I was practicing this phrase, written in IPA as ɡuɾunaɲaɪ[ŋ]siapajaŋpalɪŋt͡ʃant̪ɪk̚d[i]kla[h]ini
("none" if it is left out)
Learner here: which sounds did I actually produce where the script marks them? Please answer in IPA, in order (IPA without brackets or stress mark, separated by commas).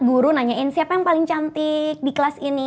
n, i, s